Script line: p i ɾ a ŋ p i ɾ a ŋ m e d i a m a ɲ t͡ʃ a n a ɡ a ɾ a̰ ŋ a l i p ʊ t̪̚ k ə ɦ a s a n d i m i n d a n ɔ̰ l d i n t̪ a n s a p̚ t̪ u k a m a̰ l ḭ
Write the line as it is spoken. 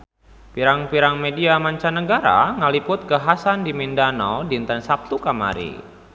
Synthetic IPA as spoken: p i ɾ a ŋ p i ɾ a ŋ m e d i a m a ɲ t͡ʃ a n ə ɡ a ɾ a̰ ŋ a l i p ʊ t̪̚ k ə ɦ a s a n d i m i n d a n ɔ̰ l d i n t̪ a n s a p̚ t̪ u k a m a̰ ɾ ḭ